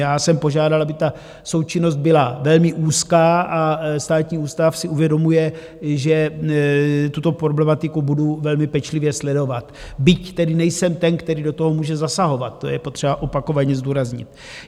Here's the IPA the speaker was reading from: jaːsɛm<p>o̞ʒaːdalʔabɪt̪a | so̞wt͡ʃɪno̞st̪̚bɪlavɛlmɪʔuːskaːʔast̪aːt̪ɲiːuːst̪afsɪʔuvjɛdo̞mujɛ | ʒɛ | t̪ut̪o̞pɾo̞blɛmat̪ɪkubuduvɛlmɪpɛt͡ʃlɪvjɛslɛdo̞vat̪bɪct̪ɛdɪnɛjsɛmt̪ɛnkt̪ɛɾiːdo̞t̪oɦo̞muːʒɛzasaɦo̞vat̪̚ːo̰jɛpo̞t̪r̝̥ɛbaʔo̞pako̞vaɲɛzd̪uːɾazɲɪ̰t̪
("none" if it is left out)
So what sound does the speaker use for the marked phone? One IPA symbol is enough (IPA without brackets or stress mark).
p